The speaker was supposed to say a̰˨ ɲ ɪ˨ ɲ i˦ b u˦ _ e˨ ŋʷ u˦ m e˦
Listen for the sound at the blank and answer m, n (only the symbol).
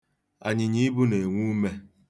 n